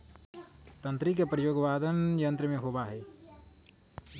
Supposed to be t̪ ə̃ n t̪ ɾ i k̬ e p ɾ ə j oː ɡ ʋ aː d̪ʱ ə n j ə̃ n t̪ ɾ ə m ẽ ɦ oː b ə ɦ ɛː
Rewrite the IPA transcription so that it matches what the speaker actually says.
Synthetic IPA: t̪ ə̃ n t̪ ɾ i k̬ e p ɾ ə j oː ɡ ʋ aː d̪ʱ ə n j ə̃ n t̪ ɾ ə m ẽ ɦ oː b a ɦ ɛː